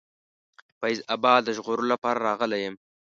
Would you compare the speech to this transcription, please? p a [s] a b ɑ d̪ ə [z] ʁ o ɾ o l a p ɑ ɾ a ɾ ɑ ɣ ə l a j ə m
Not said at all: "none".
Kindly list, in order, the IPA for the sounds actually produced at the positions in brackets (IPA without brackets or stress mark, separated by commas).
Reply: z, ʒ